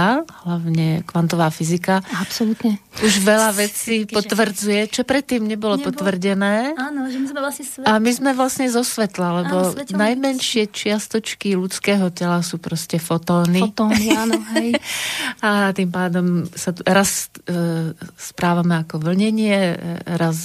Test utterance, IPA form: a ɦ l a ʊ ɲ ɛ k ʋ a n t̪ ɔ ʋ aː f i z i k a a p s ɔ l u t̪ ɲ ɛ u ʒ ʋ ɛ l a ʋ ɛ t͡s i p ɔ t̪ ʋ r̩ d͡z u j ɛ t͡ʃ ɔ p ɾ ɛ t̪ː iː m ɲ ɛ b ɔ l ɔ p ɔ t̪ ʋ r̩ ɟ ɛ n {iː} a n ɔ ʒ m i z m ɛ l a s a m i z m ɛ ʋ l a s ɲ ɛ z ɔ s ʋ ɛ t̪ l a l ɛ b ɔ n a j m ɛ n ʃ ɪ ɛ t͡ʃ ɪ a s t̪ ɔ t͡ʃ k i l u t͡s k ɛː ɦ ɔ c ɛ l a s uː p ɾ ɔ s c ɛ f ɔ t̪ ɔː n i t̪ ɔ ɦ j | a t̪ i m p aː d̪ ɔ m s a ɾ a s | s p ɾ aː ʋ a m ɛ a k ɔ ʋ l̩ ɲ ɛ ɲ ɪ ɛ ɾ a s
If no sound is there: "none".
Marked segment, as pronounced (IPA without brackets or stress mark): ɛː